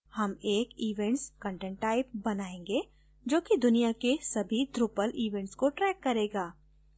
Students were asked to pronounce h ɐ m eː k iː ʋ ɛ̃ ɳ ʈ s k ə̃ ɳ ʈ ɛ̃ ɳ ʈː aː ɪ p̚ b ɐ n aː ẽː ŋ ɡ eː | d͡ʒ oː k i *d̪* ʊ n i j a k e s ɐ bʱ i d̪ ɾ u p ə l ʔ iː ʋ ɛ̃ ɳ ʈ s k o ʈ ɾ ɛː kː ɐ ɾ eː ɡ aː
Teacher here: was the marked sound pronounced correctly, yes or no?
yes